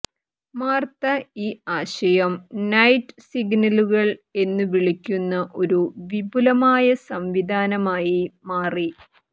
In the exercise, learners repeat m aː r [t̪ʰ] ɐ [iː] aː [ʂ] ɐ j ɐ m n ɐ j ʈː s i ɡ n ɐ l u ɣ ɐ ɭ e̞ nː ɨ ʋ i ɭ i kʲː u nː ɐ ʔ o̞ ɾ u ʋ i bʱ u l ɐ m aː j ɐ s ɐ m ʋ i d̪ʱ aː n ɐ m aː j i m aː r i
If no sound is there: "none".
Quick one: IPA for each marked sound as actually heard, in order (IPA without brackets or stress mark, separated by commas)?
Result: t̪, iː, ɕ